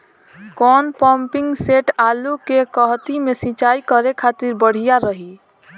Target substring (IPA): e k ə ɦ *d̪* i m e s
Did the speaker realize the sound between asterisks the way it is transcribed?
no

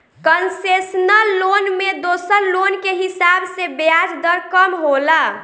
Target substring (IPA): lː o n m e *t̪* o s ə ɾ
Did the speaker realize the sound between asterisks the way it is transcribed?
no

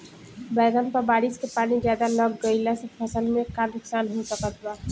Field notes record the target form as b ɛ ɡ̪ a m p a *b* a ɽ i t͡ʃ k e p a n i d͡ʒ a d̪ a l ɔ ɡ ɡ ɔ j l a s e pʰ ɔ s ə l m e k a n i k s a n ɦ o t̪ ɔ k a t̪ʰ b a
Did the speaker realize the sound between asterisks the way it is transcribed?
yes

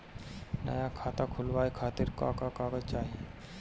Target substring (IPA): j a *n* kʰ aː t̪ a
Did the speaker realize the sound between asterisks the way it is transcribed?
no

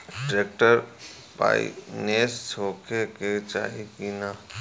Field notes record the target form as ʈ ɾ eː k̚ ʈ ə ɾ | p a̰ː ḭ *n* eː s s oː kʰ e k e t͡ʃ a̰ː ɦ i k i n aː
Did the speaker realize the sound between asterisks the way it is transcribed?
yes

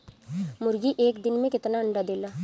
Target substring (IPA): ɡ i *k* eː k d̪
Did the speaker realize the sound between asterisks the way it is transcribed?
no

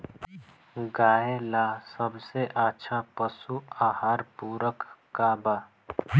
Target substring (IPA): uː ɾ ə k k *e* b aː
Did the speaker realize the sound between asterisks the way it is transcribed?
no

